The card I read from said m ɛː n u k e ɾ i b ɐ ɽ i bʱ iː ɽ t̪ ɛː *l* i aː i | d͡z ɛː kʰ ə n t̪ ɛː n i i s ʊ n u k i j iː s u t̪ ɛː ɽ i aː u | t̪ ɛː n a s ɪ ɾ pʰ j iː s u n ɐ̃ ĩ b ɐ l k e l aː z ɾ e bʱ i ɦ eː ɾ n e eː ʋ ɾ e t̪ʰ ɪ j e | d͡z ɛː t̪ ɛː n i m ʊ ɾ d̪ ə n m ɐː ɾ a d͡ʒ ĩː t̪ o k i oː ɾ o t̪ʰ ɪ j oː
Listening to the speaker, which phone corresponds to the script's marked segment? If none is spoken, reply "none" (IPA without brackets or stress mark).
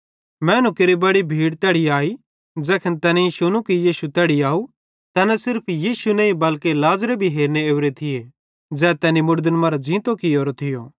ɽ